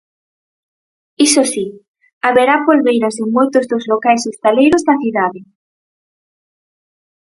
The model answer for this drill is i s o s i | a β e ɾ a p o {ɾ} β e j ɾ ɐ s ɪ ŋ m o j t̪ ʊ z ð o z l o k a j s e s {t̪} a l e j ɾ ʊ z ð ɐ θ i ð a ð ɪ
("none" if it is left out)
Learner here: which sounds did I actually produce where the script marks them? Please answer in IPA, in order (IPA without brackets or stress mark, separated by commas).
l, t̪